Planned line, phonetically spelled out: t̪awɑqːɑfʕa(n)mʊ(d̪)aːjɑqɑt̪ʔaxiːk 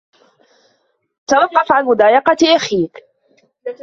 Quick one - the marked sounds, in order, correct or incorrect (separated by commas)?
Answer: correct, correct